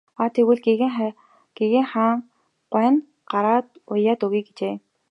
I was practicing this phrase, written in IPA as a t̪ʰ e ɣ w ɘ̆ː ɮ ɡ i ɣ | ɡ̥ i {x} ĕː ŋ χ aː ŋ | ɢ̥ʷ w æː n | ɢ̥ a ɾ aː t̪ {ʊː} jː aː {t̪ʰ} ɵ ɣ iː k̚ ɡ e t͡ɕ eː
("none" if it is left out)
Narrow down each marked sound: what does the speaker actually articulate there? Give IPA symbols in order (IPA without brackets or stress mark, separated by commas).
ɣ, ʊ, t̪